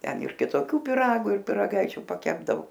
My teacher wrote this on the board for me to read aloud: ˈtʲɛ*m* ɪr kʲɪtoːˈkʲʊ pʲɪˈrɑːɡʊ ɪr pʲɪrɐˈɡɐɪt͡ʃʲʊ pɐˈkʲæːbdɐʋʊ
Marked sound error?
yes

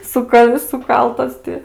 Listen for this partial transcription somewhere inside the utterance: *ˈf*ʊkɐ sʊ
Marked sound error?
yes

